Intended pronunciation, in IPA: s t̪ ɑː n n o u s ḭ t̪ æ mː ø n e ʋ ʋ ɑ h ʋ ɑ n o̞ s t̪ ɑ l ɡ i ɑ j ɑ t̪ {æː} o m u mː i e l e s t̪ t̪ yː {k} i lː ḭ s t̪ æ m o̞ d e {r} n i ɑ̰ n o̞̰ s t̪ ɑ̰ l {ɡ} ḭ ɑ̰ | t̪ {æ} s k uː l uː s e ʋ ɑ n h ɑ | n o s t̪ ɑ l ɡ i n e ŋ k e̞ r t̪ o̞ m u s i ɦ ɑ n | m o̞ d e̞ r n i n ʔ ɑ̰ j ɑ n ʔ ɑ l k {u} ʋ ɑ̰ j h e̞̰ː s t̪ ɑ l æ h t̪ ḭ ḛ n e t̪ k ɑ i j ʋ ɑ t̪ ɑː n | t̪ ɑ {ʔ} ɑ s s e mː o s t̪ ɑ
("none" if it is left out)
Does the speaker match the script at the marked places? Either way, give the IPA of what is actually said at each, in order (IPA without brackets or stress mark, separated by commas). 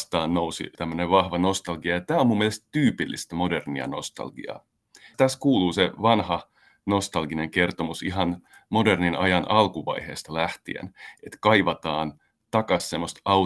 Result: æː, p, r, ɡ, æ, u, k